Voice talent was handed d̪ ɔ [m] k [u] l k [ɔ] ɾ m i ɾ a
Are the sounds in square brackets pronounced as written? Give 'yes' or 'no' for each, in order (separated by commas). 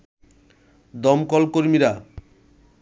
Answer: yes, no, no